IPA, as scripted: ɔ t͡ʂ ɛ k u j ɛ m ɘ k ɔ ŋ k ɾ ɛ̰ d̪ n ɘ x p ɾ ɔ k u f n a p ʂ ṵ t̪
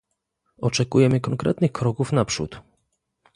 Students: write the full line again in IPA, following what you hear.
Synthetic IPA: ɔ t͡ʂ ɛ k u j ɛ m ɘ k ɔ ŋ k ɾ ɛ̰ t̪ n ɘ x k ɾ ɔ k u f n a p ʂ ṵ t̪